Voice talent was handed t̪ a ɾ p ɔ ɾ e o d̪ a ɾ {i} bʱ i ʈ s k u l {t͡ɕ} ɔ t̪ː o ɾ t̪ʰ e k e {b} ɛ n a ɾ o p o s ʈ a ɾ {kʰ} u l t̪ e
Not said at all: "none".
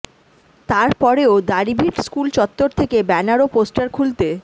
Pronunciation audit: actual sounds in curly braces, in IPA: i, t͡ɕ, b, kʰ

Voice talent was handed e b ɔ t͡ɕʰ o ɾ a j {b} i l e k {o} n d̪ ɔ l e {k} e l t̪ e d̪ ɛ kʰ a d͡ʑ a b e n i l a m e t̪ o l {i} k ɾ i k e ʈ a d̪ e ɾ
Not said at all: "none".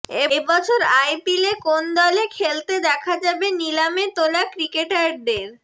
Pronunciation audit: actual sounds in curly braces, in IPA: p, o, kʰ, a

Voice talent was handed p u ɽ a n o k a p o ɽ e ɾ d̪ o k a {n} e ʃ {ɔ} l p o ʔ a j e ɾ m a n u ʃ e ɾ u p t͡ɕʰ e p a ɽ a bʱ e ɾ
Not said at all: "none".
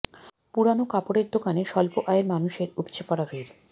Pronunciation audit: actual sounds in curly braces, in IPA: n, ɔ

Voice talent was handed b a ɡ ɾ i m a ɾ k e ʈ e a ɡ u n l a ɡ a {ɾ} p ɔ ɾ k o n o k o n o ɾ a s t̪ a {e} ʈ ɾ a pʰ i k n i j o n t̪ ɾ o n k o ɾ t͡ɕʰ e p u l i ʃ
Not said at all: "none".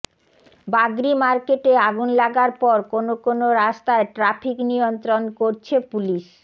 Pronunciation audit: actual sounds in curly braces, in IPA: ɾ, e

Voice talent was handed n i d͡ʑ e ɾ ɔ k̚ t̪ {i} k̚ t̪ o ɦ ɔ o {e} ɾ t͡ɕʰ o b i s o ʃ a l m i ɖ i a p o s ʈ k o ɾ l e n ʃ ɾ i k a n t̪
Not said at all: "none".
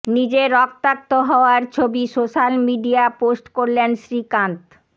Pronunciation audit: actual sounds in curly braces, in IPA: a, a

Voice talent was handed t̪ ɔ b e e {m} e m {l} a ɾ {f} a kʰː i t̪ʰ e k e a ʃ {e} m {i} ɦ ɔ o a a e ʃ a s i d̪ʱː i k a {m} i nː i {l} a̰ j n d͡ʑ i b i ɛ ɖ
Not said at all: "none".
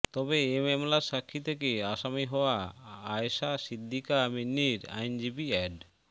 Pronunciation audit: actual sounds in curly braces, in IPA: m, l, ʃ, a, i, m, ɾ

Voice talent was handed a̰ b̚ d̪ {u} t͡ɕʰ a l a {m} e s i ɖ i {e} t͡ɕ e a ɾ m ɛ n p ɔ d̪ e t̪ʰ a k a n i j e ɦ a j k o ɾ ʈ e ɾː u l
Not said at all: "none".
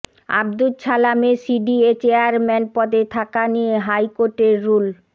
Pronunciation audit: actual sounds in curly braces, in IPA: u, m, e

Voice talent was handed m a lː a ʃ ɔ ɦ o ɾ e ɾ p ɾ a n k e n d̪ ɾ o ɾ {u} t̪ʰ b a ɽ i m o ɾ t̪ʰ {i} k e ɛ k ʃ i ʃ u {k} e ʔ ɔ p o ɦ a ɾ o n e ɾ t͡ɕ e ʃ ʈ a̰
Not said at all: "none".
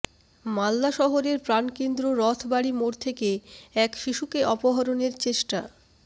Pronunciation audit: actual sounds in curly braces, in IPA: ɔ, e, k

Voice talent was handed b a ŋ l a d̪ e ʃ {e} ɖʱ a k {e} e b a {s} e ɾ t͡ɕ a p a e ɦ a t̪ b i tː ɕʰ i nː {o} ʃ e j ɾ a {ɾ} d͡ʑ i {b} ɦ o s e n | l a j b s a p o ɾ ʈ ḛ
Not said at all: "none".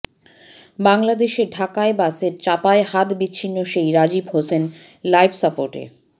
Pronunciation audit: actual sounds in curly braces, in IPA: e, a, s, o, none, b

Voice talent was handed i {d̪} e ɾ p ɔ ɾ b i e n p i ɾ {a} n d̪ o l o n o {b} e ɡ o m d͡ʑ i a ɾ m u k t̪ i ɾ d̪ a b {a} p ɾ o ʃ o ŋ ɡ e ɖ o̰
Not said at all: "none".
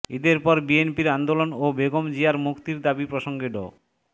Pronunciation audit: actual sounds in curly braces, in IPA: d̪, a, b, i

